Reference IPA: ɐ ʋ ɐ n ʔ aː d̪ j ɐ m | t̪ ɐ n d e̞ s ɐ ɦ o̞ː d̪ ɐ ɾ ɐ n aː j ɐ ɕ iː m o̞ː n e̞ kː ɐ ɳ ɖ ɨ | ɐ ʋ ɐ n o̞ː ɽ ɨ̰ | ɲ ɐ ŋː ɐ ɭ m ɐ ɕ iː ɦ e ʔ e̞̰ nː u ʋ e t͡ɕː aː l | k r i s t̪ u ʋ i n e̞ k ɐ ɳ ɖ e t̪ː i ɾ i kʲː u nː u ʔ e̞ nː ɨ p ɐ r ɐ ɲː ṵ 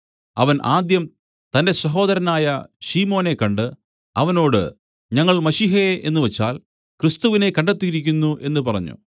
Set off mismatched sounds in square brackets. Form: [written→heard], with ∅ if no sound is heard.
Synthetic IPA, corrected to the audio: ɐ ʋ ɐ n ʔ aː d̪ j ɐ m | t̪ ɐ n d e̞ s ɐ ɦ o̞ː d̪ ɐ ɾ ɐ n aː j ɐ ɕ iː m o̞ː n e̞ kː ɐ ɳ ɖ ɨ | ɐ ʋ ɐ n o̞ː ɽ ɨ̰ | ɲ ɐ ŋː ɐ ɭ m ɐ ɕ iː ɦ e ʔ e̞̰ nː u ʋ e t͡ɕː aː l | k r i s t̪ u ʋ i n e̞ k ɐ ɳ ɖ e t̪ː i ɾ i kʲː u nː u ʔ e̞ nː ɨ p ɐ r ɐ ɲː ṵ

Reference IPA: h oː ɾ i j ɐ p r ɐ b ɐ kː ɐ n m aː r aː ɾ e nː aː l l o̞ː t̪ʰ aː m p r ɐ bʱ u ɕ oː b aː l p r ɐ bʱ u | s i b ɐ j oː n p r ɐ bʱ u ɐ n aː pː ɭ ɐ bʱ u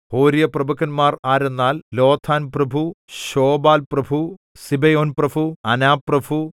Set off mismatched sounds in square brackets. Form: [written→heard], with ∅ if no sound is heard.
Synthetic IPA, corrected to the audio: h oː ɾ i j ɐ p r ɐ b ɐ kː ɐ n m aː r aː ɾ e nː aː l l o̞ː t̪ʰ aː [m→n] p r ɐ bʱ u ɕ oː b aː l p r ɐ bʱ u | s i b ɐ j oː n p r ɐ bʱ u ɐ n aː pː [ɭ→r] ɐ bʱ u

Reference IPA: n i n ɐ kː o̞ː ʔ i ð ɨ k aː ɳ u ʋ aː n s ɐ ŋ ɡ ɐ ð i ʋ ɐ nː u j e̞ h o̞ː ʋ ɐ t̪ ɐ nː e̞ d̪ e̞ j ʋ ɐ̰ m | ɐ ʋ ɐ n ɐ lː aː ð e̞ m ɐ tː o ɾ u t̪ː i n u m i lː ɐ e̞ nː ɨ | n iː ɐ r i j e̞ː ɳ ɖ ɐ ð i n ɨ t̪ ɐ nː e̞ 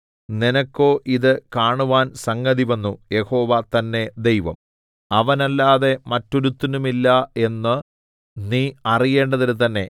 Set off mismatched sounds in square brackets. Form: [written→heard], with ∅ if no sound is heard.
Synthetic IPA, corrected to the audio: n i n ɐ kː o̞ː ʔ i ð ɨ k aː ɳ u ʋ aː n s ɐ ŋ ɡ ɐ ð i ʋ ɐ nː u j e̞ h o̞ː ʋ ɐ t̪ ɐ nː e̞ d̪ e̞ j ʋ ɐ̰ m | ɐ ʋ ɐ n ɐ lː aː ð e̞ m ɐ tː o ɾ u t̪ː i n u m i lː ɐ e̞ nː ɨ | n iː ɐ r i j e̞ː ɳ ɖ ɐ ð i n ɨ t̪ ɐ nː e̞

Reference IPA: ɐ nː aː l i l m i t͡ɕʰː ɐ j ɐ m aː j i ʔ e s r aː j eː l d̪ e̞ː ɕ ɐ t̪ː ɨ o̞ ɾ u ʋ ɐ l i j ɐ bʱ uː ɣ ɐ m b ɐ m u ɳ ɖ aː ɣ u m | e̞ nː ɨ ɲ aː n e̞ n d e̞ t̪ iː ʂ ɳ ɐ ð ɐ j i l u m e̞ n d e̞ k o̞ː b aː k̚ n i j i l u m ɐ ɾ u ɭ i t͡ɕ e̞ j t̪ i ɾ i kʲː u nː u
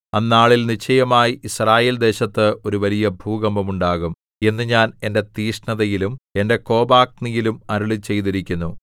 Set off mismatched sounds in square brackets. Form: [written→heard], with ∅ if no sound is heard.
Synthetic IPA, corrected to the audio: ɐ nː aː [l→ɭ] i l [m→n] i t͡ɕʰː ɐ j ɐ m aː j i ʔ [e→i] s r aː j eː l d̪ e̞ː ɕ ɐ t̪ː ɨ o̞ ɾ u ʋ ɐ l i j ɐ bʱ uː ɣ ɐ m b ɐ m u ɳ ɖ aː ɣ u m | e̞ nː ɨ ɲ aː n e̞ n d e̞ t̪ iː ʂ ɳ ɐ ð ɐ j i l u m e̞ n d e̞ k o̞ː b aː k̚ n i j i l u m ɐ ɾ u ɭ i t͡ɕ e̞ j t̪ i ɾ i kʲː u nː u

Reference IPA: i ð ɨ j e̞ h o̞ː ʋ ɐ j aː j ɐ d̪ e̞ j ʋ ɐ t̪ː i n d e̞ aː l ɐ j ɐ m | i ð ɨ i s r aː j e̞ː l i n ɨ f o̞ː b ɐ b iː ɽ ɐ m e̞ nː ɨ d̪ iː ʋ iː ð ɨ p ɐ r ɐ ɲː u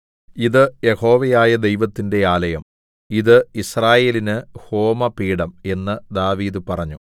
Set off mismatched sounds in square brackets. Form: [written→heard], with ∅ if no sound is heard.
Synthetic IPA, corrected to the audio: i ð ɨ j e̞ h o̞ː ʋ ɐ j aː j ɐ d̪ e̞ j ʋ ɐ t̪ː i n d e̞ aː l ɐ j ɐ m | i ð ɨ i s r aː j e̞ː l i n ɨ [f→h] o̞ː [b→m] ɐ [b→p] iː ɽ ɐ m e̞ nː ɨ d̪ [iː→aː] ʋ iː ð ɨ p ɐ r ɐ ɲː u

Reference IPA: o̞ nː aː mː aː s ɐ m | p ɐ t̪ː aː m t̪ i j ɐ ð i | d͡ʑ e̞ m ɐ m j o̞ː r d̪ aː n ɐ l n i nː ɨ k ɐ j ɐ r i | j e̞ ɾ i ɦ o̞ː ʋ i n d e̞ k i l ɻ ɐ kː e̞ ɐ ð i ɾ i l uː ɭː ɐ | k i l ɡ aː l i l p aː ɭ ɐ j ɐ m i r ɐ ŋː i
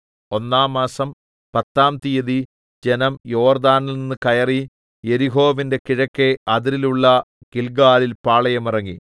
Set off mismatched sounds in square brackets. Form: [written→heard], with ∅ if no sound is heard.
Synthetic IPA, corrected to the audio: o̞ nː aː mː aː s ɐ m | p ɐ t̪ː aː m t̪ i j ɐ ð i | d͡ʑ e̞ [m→n] ɐ m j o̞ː r d̪ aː n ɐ l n i nː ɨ k ɐ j ɐ r i | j e̞ ɾ i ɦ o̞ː ʋ i n d e̞ k i [l→∅] ɻ ɐ kː e̞ ɐ ð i ɾ i l [uː→u] ɭː ɐ | k i l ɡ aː l i l p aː ɭ ɐ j ɐ m i r ɐ ŋː i

